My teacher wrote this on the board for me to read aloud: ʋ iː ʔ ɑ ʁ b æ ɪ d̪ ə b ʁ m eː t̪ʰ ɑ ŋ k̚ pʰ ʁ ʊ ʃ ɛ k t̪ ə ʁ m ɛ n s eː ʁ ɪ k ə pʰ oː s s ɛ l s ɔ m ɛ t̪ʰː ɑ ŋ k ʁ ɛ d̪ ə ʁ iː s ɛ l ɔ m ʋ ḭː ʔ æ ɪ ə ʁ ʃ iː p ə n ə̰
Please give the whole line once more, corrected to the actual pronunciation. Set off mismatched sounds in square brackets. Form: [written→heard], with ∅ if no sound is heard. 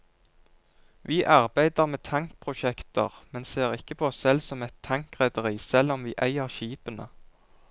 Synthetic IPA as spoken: ʋ iː ʔ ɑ ʁ b æ ɪ d̪ ə [b→∅] ʁ m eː t̪ʰ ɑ ŋ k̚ pʰ ʁ ʊ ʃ ɛ k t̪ ə ʁ m ɛ n s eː ʁ ɪ k ə pʰ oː s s ɛ l s ɔ m ɛ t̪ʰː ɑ ŋ k ʁ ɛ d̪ ə ʁ iː s ɛ l ɔ m ʋ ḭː ʔ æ ɪ ə ʁ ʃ iː p ə n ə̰